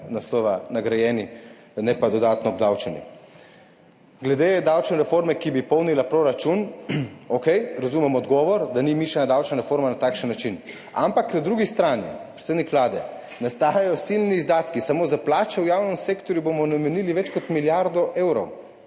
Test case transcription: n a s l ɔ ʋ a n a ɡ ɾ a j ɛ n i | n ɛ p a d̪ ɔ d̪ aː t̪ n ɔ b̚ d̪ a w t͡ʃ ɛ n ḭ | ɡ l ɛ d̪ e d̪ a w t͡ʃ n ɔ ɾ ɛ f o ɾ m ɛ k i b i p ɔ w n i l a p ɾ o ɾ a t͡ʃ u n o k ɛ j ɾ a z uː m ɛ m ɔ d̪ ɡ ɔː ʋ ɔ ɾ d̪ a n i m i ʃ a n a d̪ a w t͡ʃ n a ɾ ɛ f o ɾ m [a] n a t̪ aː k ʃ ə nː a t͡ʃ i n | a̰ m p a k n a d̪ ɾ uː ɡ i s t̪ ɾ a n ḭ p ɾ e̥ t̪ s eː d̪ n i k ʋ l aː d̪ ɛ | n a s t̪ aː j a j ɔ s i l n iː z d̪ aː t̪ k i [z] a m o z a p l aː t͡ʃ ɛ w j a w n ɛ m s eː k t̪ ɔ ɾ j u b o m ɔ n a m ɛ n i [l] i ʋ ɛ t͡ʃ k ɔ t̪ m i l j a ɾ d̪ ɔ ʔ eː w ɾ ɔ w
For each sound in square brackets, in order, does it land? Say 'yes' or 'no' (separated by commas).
yes, no, yes